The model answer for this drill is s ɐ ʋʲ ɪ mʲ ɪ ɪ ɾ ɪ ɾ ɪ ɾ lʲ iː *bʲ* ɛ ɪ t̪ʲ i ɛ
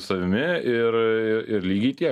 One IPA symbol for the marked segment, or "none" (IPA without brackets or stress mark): ɡʲ